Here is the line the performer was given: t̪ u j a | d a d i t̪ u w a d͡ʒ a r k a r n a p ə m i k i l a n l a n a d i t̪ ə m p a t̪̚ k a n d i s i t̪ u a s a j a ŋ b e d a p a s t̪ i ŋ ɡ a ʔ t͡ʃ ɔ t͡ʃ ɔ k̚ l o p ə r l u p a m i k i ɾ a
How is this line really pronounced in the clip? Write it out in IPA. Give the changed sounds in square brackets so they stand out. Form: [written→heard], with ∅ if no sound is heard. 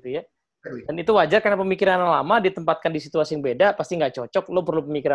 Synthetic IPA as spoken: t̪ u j a | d a [d→n] i t̪ u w a d͡ʒ a r k a r n a p ə m i k i [l→ɾ] a n l a [n→m] a d i t̪ ə m p a t̪̚ k a n d i s i t̪ u a s [a→i] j a ŋ b e d a p a s t̪ i ŋ ɡ a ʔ t͡ʃ ɔ t͡ʃ ɔ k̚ l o p ə r l u p [a→ə] m i k i ɾ a